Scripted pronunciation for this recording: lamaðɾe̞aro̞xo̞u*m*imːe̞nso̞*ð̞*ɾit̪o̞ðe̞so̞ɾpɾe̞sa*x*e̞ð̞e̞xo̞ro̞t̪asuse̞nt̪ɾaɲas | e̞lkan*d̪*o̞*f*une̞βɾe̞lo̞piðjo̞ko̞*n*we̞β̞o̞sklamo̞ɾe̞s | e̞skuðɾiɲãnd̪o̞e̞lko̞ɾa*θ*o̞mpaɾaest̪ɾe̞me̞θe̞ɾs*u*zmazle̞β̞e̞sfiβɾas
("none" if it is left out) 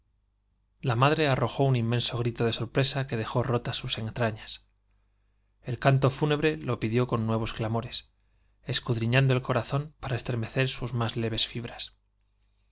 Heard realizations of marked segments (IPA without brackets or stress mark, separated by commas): n, ɣ̞, k, t̪, f, nː, θ, u